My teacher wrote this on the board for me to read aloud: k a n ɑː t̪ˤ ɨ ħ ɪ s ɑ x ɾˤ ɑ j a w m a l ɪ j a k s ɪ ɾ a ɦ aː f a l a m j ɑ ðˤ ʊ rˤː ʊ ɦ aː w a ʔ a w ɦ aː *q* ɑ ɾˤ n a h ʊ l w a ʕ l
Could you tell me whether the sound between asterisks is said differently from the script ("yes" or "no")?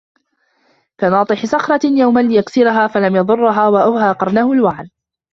no